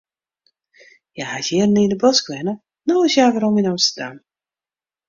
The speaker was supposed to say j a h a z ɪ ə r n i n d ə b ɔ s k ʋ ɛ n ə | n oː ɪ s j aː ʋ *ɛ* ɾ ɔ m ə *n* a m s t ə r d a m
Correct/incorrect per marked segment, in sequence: incorrect, correct

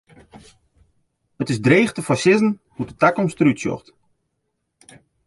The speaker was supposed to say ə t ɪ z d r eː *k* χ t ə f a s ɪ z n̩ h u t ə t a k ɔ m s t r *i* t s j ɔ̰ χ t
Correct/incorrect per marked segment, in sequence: incorrect, incorrect

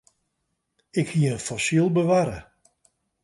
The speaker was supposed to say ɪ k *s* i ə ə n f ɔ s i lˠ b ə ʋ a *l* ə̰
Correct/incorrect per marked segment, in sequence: incorrect, incorrect

